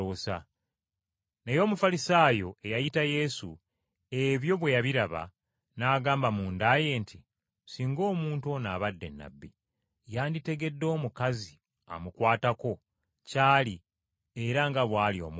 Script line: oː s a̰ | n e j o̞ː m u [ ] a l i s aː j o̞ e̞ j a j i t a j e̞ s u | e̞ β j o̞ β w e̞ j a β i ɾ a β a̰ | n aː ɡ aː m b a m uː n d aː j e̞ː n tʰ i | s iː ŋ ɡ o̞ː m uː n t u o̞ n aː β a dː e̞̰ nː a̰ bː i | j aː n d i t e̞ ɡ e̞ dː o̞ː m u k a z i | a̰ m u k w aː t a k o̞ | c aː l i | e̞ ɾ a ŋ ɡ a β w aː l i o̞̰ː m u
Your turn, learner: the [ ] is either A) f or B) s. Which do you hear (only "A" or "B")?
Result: A